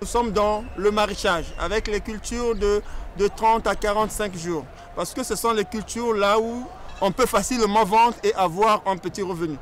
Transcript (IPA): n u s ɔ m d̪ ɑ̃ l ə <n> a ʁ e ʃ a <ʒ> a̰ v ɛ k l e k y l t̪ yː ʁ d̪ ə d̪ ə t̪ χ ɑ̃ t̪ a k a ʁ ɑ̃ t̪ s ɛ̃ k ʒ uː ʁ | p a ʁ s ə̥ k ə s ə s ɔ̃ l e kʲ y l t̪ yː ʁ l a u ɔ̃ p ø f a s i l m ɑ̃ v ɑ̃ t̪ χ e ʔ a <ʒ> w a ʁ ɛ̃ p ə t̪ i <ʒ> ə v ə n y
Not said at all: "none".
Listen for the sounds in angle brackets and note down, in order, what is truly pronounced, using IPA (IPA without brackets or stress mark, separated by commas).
m, ʒ, v, ʁ